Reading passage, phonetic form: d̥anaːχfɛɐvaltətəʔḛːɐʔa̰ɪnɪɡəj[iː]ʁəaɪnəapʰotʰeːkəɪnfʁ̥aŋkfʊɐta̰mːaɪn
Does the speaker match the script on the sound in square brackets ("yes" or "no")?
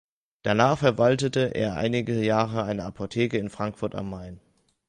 no